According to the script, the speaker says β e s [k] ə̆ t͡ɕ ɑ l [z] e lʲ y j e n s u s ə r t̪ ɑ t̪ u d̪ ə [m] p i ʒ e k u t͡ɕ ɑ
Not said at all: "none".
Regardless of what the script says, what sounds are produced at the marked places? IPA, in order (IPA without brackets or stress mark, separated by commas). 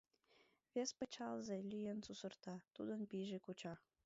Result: p, z, n